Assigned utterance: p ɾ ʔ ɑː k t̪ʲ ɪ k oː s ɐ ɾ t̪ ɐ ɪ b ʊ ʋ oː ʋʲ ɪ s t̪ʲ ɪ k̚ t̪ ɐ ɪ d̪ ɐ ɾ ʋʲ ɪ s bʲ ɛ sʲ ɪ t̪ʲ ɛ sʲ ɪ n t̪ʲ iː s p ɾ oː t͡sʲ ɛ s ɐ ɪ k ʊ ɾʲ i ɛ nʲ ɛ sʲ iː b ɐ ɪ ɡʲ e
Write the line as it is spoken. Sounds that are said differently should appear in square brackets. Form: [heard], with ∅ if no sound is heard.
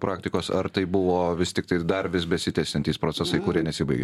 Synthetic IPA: p ɾ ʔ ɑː k t̪ʲ ɪ k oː s ɐ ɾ t̪ ɐ ɪ b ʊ ʋ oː ʋʲ ɪ s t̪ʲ ɪ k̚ t̪ ɐ ɪ d̪ ɐ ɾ ʋʲ ɪ s bʲ ɛ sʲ ɪ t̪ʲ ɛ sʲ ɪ n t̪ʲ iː s p ɾ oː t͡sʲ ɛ s ɐ ɪ k ʊ ɾʲ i ɛ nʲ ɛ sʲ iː b ɐ ɪ ɡʲ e